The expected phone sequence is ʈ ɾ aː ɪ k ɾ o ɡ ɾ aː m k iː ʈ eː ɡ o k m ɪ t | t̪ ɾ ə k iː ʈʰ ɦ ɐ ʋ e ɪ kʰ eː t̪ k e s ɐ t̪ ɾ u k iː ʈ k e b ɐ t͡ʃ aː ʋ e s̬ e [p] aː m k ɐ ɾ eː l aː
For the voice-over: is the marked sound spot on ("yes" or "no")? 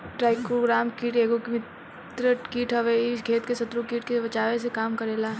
no